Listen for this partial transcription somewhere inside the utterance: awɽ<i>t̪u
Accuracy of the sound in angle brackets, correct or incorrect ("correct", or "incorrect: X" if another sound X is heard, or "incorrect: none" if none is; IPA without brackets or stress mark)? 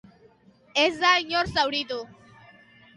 correct